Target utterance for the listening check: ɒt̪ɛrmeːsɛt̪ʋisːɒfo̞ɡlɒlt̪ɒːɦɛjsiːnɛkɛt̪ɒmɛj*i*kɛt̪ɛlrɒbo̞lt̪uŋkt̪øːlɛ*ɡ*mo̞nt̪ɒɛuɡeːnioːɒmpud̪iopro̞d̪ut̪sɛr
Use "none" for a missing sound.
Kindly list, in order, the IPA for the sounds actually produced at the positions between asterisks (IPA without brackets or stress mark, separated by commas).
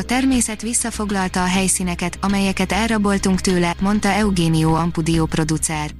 ɛ, none